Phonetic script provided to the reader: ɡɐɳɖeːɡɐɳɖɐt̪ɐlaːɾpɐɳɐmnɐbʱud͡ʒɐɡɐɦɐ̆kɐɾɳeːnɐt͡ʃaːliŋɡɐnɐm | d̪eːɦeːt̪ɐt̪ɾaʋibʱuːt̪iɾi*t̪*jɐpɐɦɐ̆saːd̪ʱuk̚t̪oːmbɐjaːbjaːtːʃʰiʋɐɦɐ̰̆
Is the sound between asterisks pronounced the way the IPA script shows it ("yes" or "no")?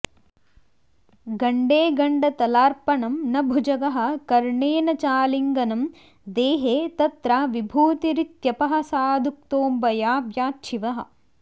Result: yes